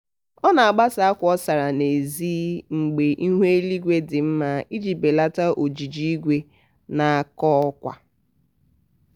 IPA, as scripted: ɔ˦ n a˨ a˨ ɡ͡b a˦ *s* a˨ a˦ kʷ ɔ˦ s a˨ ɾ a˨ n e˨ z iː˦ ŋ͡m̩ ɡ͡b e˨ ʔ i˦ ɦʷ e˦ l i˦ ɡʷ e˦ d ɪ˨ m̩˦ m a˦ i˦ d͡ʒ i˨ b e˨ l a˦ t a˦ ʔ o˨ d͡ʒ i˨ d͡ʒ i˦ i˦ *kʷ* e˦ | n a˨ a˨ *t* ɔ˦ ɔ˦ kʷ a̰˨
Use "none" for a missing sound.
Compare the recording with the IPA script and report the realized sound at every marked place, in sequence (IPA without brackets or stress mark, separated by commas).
s, ɡʷ, k